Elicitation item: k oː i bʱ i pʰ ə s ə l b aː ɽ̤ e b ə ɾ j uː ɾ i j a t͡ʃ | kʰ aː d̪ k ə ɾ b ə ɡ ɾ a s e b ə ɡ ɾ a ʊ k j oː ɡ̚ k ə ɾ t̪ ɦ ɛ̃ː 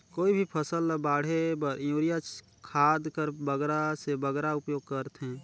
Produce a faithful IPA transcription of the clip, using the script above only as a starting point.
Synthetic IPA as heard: k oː i bʱ i pʰ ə s ə l b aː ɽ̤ e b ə ɾ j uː ɾ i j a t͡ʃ | kʰ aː d̪ k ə ɾ b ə ɡ ɾ a s e b ə ɡ ɾ a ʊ p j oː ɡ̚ k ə ɾ t̪ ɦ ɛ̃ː

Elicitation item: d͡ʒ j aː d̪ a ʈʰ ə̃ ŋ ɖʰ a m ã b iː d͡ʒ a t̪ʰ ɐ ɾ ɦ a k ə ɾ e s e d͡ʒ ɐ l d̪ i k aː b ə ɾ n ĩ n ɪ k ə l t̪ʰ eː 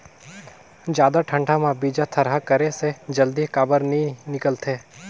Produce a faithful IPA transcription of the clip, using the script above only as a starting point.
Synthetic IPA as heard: d͡ʒ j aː d̪ a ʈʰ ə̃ ɳ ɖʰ a m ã b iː d͡ʒ a t̪ʰ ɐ ɾ ɦ a k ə ɾ e s e d͡ʒ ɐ l d̪ i k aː b ə ɾ n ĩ n ɪ k ə l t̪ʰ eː

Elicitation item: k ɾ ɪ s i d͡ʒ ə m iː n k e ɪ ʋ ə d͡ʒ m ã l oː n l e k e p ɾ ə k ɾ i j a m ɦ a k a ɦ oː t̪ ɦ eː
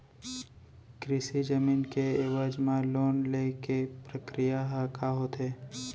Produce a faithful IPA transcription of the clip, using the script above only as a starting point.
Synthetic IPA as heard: k ɾ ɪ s i d͡ʒ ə m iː n k e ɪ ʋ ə d͡ʒ m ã l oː n l e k e p ɾ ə k ɾ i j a ɦ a k a ɦ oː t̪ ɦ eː

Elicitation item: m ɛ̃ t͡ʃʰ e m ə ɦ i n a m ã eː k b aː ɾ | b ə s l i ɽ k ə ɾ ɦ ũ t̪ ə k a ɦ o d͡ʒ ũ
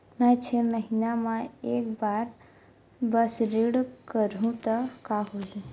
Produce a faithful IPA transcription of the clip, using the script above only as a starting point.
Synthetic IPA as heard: m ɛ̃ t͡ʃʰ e m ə ɦ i n a m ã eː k b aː ɾ | b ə s ɾ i ɽ k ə ɾ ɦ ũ t̪ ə k a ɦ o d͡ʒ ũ

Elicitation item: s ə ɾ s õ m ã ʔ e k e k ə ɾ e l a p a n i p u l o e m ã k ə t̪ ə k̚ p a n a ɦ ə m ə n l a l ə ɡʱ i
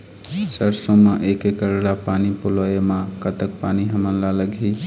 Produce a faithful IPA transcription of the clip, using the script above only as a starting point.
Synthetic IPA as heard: s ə ɾ s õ m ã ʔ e k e k ə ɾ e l a p a n i p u l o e m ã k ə t̪ ə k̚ p a n i ɦ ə m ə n l a l ə ɡʱ i

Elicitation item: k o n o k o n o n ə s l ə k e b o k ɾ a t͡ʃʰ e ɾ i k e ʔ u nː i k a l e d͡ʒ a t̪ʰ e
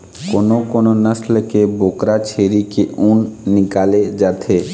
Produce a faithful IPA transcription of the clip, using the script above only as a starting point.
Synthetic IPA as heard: k o n o k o n o n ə s l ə k e b o k ɾ a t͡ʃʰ e ɾ i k e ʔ u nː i k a l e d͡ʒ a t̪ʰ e

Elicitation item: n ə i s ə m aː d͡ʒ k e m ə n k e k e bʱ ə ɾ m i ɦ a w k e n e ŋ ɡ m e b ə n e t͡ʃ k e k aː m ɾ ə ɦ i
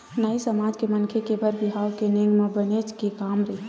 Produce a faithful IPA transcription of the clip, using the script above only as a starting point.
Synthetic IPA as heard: n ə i s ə m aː d͡ʒ k e m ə n kʰ e k e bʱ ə ɾ b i ɦ a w k e n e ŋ ɡ m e b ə n e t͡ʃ k e k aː m ɾ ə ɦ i

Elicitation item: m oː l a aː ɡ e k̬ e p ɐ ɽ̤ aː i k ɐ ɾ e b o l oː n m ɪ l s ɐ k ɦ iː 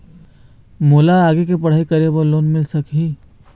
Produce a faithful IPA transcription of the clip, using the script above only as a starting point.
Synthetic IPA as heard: m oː l a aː ɡ e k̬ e p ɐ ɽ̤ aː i k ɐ ɾ e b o l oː n m ɪ l s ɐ k ɦ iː

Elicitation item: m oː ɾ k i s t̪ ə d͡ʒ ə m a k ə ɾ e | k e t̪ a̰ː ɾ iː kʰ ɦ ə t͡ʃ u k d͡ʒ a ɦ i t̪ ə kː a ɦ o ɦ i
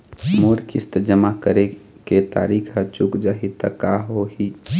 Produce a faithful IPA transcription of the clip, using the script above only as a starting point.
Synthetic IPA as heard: m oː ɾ k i s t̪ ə d͡ʒ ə m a k ə ɾ e | k e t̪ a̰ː ɾ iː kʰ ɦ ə t͡ʃ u k d͡ʒ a ɦ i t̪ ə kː a ɦ o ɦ i

